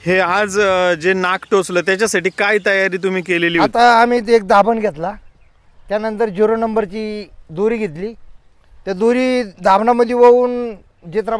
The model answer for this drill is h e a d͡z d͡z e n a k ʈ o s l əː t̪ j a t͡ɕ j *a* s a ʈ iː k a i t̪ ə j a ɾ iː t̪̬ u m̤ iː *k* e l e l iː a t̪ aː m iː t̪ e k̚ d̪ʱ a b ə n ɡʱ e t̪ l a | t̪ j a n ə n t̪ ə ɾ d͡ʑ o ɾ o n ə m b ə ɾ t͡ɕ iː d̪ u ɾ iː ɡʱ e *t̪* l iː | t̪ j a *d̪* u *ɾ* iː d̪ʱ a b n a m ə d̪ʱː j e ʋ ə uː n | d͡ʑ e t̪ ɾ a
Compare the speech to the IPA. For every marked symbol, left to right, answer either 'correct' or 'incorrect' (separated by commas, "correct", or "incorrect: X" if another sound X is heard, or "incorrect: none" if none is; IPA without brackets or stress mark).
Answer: correct, correct, correct, correct, correct